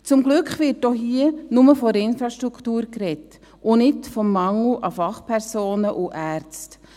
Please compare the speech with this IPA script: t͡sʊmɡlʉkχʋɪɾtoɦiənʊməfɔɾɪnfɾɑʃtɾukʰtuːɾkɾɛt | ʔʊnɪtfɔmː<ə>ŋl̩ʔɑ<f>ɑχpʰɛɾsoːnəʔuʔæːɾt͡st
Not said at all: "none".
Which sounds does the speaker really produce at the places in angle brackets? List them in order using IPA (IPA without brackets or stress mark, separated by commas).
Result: ɑ, f